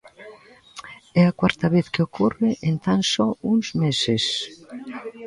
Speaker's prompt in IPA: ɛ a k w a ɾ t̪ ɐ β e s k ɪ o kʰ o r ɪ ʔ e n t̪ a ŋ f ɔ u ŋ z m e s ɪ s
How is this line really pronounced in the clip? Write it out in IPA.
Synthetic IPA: ɛ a k w a ɾ t̪ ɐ β e θ k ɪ o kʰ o r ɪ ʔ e n t̪ a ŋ s ɔ u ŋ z m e s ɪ s